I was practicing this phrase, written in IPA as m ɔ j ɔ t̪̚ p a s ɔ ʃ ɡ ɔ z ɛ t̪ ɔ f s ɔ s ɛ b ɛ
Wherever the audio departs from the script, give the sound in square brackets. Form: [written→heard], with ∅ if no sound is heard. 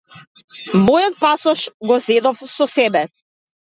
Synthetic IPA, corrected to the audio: m ɔ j ɔ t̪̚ p a s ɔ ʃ ɡ ɔ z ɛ [t̪→d̪] ɔ f s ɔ s ɛ b ɛ